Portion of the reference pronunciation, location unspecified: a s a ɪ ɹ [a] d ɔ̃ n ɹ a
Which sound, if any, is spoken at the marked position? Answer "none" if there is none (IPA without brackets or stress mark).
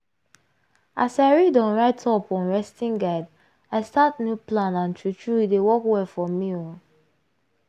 i